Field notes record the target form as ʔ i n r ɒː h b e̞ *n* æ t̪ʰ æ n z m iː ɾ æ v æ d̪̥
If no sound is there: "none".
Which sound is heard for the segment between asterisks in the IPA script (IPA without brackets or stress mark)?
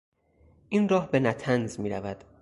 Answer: n